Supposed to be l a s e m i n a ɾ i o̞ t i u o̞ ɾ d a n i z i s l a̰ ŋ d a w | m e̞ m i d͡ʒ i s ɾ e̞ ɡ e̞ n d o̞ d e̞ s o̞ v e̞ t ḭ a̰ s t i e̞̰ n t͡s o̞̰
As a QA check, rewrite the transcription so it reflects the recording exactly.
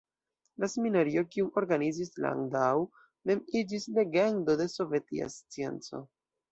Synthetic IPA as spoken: l a s e m i n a ɾ i o̞ k i u o̞ ɾ ɡ a n i z i s l a̰ ŋ d a w | m e̞ m i d͡ʒ i s l e̞ ɡ e̞ n d o̞ d e̞ s o̞ v e̞ t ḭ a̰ s t͡s i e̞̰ n t͡s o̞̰